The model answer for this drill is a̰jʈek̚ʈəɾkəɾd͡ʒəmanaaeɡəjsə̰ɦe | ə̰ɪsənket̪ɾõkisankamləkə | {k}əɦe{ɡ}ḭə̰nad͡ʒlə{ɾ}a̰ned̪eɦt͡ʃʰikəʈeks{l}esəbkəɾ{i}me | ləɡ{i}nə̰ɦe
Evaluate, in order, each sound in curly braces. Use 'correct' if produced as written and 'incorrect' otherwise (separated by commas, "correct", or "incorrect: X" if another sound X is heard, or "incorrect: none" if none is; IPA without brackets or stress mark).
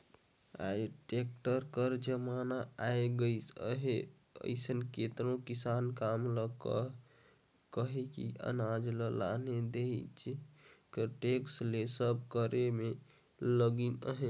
correct, incorrect: k, incorrect: l, correct, incorrect: e, correct